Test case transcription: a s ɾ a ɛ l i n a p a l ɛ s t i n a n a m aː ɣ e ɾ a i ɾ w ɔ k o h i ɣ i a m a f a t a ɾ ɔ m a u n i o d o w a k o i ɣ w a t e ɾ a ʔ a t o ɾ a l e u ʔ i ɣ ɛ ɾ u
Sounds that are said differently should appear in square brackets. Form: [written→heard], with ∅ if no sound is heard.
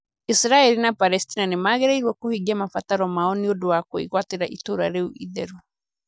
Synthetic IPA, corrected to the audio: [a→i] s ɾ a ɛ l i n a p a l ɛ s t i n a n [a→e] m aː ɣ e ɾ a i ɾ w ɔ k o h i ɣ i a m a f a t a ɾ ɔ m a [u→ɔ] n i o d o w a k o i ɣ w a t e ɾ a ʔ [a→i] t o ɾ a [l→ɾ] e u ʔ i [ɣ→ð] ɛ ɾ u